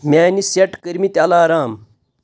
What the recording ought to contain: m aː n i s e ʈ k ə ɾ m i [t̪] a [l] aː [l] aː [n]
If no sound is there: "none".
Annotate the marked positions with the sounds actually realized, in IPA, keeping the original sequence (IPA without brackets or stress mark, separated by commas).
t̪, l, ɾ, m